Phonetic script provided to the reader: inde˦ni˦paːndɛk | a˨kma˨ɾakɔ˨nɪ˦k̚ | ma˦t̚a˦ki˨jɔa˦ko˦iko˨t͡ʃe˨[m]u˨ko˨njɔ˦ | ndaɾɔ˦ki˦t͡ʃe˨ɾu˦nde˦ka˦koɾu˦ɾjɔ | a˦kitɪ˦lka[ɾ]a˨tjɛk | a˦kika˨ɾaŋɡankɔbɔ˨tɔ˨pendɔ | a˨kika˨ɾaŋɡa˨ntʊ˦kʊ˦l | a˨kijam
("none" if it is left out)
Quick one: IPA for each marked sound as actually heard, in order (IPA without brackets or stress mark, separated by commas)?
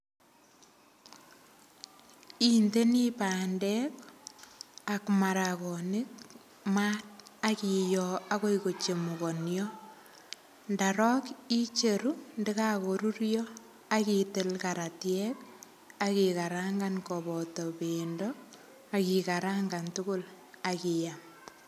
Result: m, ɾ